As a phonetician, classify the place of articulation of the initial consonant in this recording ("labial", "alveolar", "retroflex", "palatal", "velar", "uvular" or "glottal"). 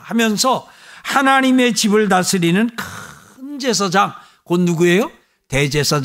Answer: glottal